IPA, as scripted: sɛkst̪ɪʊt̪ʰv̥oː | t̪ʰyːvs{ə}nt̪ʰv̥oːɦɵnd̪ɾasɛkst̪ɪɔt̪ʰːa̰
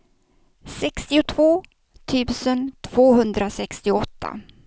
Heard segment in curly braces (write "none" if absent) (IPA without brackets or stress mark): ə